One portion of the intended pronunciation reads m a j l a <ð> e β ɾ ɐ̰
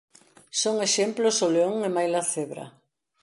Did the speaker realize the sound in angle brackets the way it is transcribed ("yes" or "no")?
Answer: no